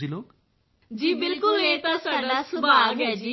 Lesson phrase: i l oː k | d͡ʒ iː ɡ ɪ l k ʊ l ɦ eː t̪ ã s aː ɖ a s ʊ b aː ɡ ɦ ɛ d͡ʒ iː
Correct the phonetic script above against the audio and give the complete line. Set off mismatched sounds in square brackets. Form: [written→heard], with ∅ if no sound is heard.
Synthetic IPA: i l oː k | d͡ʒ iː [ɡ→b] ɪ l k ʊ l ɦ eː t̪ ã s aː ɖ a s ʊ b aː ɡ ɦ ɛ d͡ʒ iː